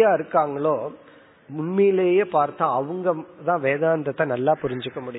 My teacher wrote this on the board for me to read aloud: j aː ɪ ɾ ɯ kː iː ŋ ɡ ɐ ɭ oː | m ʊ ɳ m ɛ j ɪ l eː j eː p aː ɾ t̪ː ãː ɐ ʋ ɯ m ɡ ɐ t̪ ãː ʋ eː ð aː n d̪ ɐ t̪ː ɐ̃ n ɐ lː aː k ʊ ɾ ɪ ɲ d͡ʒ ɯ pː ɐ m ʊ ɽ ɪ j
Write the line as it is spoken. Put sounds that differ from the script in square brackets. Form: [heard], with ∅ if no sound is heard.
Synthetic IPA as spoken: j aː ɪ ɾ ɯ kː [aː] ŋ ɡ ɐ ɭ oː | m ʊ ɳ m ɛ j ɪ l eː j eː p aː ɾ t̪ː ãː ɐ ʋ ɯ [ŋ] ɡ ɐ t̪ ãː ʋ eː ð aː n d̪ ɐ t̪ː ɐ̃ n ɐ lː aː [p] ʊ ɾ ɪ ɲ d͡ʒ ɯ [kː] ɐ m ʊ ɽ ɪ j